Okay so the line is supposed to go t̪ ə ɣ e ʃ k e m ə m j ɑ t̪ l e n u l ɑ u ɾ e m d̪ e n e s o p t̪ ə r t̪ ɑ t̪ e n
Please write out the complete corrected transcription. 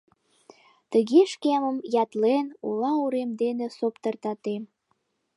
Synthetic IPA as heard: t̪ ə ɣ e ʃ k e m ə m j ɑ t̪ l e n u l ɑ u ɾ e m d̪ e n e s o p t̪ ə r t̪ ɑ t̪ e m